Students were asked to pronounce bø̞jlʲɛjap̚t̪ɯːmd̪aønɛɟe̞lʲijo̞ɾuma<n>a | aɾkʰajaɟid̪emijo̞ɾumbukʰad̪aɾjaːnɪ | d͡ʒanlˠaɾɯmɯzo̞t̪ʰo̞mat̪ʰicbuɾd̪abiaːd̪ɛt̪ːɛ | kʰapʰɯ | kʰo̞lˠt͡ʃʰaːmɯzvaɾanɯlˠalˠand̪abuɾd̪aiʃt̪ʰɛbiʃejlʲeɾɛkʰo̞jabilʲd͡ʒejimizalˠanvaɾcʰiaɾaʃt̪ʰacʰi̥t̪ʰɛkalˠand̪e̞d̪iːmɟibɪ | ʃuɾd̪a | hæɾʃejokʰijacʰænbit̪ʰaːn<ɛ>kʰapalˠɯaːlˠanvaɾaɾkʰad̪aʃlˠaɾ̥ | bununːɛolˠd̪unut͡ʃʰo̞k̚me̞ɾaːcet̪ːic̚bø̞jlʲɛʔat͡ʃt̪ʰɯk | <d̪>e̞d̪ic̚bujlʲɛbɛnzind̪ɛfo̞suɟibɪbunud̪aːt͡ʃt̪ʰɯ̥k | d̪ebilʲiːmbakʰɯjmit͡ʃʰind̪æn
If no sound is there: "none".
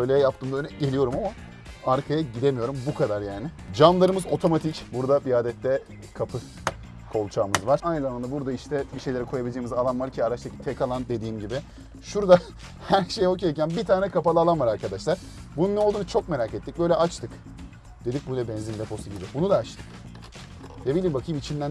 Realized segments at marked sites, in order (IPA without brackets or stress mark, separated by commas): m, ɛ, d̪